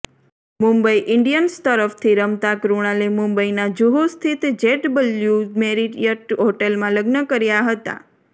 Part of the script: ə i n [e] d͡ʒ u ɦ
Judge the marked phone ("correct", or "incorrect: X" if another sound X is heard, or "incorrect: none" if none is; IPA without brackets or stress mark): incorrect: a